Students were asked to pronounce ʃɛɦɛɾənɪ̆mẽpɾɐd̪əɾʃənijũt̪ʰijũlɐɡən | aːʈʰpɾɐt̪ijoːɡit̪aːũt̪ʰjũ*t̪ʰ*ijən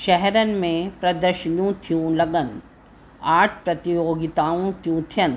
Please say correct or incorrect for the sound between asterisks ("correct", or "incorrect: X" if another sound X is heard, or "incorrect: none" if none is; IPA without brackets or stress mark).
correct